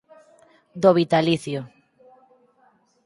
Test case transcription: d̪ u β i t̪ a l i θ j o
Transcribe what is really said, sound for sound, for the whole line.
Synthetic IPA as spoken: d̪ o β i t̪ a l i θ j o

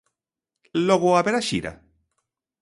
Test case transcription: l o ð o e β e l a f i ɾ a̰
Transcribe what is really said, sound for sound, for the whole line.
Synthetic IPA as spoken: l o ɣ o a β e ɾ a ʃ i ɾ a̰

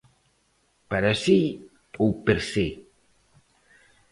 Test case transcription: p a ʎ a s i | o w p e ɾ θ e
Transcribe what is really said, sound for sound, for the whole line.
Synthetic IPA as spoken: p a ɾ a s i | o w p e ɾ s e

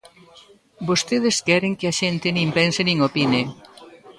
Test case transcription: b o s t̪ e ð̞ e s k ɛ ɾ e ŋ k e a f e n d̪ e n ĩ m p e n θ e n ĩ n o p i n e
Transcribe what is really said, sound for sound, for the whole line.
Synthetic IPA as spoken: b o s t̪ e ð̞ e s k ɛ ɾ e ŋ k e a ʃ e n t̪ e n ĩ m p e n s e n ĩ ŋ o p i n e

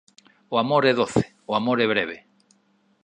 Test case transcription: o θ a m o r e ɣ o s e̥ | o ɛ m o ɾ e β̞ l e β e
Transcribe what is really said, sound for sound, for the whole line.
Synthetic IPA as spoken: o a m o ɾ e ð o θ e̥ | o a m o ɾ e β̞ ɾ e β e

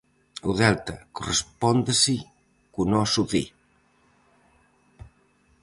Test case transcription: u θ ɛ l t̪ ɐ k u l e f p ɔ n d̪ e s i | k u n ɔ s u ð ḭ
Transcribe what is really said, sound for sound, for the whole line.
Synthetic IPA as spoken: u ð ɛ l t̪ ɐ k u r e s p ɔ n d̪ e s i | k u n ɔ s u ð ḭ

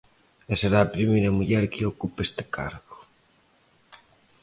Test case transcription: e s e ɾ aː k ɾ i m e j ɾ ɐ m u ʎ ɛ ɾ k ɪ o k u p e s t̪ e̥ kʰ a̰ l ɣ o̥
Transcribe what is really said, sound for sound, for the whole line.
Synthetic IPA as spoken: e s e ɾ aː p ɾ i m e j ɾ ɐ m u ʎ ɛ ɾ k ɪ o k u p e s t̪ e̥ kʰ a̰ ɾ ɣ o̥

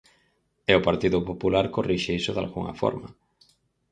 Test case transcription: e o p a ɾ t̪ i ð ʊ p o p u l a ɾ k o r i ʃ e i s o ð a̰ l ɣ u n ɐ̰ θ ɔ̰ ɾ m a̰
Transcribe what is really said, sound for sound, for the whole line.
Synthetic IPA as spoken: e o p a ɾ t̪ i ð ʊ p o p u l a ɾ k o r i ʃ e i s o ð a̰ l ɣ u ŋ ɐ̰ f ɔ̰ ɾ m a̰

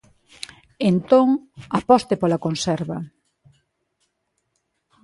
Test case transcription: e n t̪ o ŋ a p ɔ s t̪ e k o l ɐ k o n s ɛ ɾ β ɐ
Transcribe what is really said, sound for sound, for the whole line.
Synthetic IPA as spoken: e n t̪ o ŋ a p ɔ s t̪ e p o l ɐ k o n s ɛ ɾ β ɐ

